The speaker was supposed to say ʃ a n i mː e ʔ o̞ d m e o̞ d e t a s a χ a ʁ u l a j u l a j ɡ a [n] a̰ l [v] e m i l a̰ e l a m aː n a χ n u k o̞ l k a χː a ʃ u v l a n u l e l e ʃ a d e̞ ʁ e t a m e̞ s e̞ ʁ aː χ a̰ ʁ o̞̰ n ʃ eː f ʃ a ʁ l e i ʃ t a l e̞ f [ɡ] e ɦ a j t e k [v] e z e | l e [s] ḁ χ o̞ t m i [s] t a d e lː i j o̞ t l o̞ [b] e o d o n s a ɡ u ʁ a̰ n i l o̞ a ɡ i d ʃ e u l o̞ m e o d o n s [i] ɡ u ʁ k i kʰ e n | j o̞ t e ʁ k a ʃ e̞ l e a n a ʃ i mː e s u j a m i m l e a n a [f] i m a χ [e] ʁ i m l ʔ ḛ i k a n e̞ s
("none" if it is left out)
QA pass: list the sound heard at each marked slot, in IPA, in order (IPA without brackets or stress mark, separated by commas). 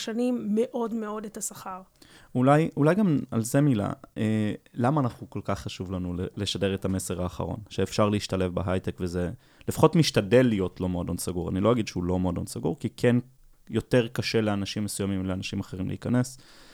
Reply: m, z, b, v, f, ʃ, m, a, ʃ, e